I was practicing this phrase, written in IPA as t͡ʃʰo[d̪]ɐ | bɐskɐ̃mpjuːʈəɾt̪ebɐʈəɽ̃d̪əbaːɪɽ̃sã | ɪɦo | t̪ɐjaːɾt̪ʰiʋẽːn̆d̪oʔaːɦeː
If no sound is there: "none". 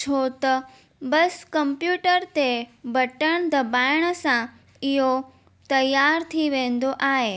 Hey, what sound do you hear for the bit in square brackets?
t̪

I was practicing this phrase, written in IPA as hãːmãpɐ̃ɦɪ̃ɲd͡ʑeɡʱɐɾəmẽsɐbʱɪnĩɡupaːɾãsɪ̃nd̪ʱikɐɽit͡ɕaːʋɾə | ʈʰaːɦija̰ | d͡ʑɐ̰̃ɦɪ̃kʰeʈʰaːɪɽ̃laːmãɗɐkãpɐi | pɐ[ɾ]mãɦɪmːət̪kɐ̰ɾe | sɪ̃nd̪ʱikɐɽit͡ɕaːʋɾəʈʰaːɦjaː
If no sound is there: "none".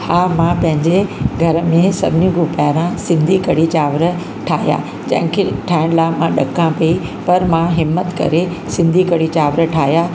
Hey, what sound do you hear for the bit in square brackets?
ɾ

